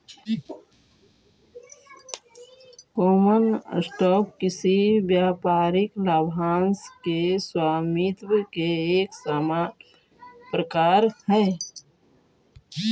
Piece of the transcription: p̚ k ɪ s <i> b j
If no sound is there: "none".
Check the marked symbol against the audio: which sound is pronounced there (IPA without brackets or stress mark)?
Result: i